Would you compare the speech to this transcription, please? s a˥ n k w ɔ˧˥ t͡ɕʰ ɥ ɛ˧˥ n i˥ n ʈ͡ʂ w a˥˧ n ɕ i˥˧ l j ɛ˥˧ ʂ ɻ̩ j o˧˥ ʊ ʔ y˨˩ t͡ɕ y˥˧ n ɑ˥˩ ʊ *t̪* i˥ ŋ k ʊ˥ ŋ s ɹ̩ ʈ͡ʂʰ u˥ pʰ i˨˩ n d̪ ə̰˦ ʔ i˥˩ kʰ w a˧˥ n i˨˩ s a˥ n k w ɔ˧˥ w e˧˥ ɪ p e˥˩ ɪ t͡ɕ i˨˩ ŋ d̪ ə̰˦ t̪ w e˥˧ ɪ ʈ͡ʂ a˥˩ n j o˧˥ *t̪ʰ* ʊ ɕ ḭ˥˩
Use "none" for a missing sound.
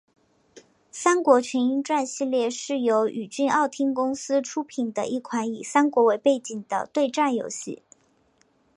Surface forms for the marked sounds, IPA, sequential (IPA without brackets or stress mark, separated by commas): t̪ʰ, none